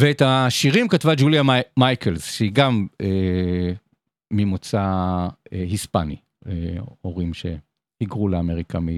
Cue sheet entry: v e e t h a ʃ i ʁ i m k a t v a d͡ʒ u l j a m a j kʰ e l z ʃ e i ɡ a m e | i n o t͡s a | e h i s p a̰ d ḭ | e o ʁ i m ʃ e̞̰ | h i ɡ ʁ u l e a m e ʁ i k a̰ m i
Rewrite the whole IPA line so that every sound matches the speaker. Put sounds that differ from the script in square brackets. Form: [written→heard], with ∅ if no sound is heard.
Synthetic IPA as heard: v e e t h a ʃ i ʁ i m k a t v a d͡ʒ u l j a m a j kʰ e l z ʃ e i ɡ a m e | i [n→m] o t͡s a | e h i s p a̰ [d→n] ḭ | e o ʁ i m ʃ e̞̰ | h i ɡ ʁ u l e a m e ʁ i k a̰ m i